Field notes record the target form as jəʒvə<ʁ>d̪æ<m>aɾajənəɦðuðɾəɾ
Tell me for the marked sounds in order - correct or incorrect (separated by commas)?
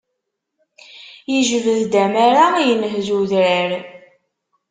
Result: incorrect, correct